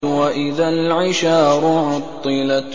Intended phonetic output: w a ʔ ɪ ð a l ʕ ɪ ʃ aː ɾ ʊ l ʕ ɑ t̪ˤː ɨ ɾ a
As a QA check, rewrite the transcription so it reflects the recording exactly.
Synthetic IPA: w a ʔ ɪ ð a l ʕ ɪ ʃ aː ɾ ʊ ʕ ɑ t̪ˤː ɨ l a